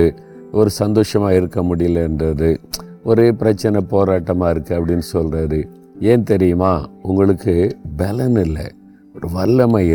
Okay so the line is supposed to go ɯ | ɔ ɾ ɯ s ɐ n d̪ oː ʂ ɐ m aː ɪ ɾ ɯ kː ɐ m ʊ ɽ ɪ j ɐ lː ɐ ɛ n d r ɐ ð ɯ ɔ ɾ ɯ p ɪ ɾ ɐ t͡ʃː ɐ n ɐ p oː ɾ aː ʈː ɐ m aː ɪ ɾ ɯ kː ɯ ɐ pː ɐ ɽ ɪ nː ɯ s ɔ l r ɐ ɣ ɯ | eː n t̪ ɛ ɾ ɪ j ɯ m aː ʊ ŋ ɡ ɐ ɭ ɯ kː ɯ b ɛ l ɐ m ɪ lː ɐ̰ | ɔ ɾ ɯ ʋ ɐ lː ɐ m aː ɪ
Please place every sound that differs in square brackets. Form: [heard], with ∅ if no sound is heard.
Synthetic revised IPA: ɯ | ɔ ɾ ɯ s ɐ n d̪ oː ʂ ɐ m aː ɪ ɾ ɯ kː ɐ m ʊ ɽ ɪ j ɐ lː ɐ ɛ n d r ɐ ð ɯ ɔ ɾ ɯ p ɪ ɾ ɐ t͡ʃː ɐ n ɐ p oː ɾ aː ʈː ɐ m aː ɪ ɾ ɯ kː ɯ ɐ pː ɐ ɽ ɪ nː ɯ s ɔ l r ɐ [ð] ɯ | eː n t̪ ɛ ɾ ɪ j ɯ m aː ʊ ŋ ɡ ɐ ɭ ɯ kː ɯ b ɛ l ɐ [n] ɪ lː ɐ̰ | ɔ ɾ ɯ ʋ ɐ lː ɐ m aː ɪ